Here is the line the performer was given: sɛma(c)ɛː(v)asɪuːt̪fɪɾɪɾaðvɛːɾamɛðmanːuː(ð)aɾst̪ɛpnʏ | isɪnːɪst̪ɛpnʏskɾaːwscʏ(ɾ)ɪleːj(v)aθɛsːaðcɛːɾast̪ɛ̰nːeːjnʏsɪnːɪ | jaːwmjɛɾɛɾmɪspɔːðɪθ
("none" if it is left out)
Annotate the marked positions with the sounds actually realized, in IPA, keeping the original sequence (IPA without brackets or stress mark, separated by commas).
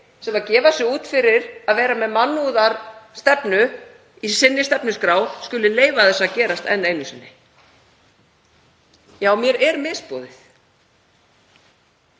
c, v, ð, l, v